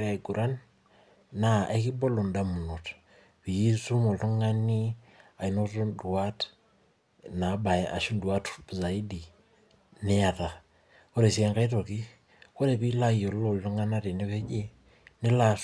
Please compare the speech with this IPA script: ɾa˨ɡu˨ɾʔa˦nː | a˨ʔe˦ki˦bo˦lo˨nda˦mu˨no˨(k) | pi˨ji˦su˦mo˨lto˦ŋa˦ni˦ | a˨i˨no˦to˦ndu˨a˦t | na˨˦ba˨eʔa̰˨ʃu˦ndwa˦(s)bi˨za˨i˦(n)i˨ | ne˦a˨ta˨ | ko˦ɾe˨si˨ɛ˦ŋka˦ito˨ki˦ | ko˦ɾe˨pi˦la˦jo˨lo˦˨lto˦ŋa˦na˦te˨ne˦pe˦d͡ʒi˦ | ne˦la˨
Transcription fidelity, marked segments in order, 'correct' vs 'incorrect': incorrect, incorrect, incorrect

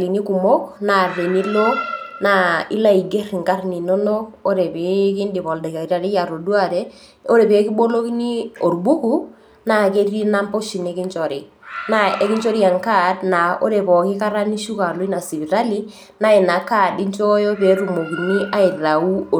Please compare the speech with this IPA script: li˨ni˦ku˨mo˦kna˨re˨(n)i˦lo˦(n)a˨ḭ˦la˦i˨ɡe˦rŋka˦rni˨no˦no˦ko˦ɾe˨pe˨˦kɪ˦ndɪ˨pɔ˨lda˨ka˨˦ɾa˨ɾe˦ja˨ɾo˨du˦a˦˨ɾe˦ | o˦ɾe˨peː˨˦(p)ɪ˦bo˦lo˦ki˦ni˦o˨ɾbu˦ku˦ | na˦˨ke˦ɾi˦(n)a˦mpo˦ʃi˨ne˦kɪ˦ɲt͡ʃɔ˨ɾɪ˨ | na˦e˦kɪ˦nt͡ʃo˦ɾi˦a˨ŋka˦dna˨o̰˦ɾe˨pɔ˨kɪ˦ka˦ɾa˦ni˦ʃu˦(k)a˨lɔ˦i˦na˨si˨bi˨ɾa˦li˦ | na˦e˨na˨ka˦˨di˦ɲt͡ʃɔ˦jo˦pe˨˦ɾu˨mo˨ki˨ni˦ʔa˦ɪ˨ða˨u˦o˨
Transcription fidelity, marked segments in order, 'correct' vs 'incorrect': correct, correct, incorrect, correct, correct

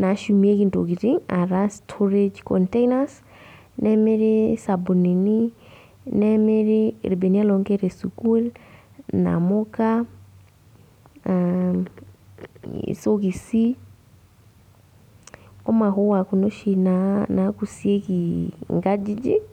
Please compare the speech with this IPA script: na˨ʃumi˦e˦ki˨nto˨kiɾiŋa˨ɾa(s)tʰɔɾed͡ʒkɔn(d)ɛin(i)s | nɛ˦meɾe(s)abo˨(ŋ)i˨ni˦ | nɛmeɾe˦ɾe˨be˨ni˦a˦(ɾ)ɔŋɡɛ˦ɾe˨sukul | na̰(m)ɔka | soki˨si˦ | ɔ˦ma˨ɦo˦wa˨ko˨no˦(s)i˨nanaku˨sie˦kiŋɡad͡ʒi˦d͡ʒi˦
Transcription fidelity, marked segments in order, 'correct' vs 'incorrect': correct, incorrect, incorrect, correct, incorrect, incorrect, correct, incorrect

